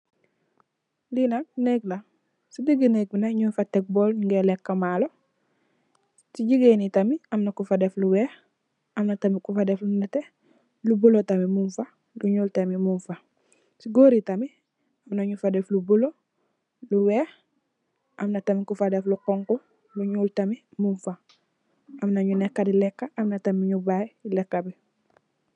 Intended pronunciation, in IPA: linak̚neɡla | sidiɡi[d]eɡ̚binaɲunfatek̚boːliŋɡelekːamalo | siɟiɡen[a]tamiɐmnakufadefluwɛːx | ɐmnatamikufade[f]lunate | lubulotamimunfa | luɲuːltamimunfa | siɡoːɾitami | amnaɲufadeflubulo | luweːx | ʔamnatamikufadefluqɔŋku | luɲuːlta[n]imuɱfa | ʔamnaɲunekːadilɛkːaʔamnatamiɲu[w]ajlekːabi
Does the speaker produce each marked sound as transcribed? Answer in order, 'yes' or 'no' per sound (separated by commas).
no, no, yes, no, no